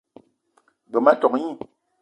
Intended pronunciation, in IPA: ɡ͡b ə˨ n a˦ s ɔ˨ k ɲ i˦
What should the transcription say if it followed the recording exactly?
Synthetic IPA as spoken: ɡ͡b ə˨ m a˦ t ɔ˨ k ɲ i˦